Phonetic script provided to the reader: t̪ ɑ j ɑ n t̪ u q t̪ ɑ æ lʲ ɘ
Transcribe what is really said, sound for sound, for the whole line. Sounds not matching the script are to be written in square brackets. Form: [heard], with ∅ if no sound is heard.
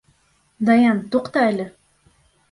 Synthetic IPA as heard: [d̪] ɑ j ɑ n t̪ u q t̪ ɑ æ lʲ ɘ